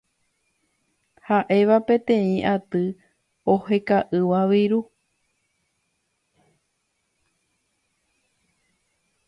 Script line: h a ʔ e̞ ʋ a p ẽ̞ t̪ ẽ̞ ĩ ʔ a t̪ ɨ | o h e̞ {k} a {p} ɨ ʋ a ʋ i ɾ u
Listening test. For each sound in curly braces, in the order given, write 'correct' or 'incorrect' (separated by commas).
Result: correct, incorrect